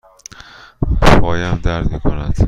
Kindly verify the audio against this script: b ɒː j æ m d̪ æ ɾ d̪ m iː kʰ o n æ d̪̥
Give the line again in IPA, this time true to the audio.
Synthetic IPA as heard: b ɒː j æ m d̪ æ ɾ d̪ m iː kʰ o n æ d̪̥